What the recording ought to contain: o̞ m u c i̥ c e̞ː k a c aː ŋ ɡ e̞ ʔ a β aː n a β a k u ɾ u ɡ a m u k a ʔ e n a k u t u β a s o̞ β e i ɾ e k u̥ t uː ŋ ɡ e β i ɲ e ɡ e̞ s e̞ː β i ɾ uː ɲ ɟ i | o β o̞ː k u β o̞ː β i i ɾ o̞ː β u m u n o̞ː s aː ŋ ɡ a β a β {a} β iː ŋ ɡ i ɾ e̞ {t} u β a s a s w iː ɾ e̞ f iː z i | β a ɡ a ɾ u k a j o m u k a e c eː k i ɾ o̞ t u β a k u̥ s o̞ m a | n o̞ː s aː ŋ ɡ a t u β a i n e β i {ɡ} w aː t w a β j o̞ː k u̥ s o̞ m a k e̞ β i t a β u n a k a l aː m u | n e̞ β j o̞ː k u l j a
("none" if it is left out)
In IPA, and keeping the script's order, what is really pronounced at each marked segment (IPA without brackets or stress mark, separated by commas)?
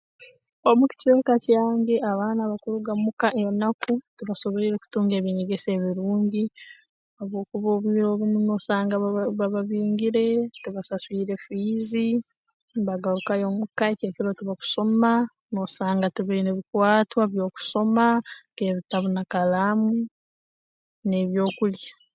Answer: a, t, k